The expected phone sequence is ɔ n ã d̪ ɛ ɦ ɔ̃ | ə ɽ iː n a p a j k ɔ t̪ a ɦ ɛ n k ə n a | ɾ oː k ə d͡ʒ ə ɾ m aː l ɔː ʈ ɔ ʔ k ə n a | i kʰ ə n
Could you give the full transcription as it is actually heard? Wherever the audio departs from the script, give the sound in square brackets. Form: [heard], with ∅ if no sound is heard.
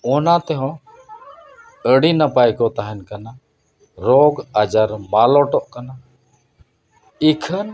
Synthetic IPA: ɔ n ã [t̪] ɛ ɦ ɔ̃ | ə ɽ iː n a p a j k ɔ t̪ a ɦ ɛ n k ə n a | ɾ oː [ɡ] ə d͡ʒ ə ɾ m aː l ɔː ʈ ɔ ʔ k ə n a | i kʰ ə n